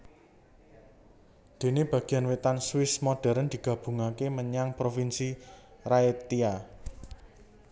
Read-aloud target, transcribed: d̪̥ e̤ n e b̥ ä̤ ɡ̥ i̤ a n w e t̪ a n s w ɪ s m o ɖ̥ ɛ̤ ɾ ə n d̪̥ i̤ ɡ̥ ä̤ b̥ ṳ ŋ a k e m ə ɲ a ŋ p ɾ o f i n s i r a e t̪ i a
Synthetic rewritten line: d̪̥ e̤ n e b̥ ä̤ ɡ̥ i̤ a n w e t̪ a n s w ɪ s m o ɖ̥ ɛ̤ ɾ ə n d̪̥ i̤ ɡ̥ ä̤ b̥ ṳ ŋ a k e m ə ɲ a ŋ p ɾ o f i n s i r a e t̪ i a